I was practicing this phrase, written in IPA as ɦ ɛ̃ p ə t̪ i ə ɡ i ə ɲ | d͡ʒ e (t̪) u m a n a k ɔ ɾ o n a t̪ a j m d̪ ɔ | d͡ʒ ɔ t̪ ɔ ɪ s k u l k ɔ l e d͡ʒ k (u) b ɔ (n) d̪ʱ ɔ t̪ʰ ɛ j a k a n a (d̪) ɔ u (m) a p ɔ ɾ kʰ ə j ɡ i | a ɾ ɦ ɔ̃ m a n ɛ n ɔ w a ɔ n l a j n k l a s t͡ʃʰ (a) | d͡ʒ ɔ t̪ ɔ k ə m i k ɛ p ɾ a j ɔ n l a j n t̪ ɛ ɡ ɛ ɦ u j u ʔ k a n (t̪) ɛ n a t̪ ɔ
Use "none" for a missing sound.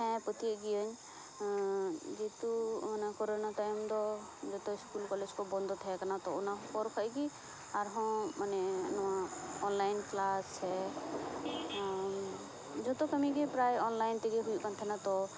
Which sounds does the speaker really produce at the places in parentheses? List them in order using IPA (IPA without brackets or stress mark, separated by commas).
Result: t̪, ɔ, n, t̪, n, ɛ, t̪ʰ